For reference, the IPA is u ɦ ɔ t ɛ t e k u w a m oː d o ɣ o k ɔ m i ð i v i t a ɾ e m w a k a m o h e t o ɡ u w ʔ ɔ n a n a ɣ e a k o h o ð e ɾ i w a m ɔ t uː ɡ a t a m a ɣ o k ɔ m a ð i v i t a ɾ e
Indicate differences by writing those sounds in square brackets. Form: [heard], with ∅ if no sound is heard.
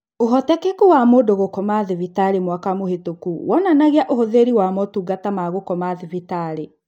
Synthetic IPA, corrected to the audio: [o] ɦ ɔ t ɛ [k] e k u w a m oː d o ɣ o k ɔ m [a] ð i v i t a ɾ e m w a k a m o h e t o [k] u w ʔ ɔ n a n a ɣ e a [ʔ] o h o ð e ɾ i w a m ɔ t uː ɡ a t a m a ɣ o k ɔ m a ð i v i t a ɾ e